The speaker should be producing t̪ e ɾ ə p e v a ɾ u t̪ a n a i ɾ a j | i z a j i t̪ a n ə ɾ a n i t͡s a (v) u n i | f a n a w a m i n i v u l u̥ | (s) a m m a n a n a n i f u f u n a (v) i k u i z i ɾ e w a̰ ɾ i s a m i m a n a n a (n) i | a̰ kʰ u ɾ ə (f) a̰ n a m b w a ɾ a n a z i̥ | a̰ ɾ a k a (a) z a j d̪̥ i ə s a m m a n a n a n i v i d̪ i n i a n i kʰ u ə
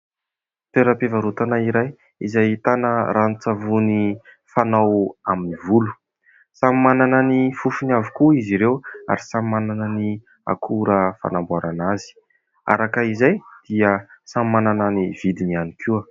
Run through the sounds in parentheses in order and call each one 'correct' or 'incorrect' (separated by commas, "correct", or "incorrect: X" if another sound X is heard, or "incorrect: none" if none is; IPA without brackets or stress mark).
correct, correct, correct, correct, correct, incorrect: i